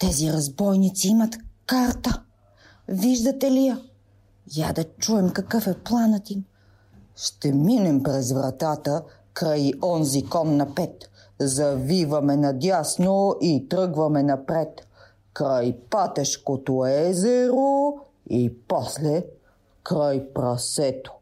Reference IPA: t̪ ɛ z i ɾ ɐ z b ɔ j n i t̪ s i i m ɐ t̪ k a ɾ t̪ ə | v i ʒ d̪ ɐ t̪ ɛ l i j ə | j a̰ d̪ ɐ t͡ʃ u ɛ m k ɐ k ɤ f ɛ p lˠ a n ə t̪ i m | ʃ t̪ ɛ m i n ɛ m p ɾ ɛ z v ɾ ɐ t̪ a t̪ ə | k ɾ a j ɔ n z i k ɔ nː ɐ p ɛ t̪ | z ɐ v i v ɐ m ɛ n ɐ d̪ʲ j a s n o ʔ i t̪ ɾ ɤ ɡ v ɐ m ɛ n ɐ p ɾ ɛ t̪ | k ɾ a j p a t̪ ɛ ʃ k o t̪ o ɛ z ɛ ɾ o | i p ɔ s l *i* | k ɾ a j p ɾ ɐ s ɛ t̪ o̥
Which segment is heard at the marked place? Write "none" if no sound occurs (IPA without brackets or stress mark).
ɛ